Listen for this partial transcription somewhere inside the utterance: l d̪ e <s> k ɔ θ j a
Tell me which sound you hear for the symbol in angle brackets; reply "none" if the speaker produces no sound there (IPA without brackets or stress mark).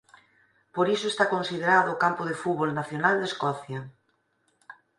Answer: s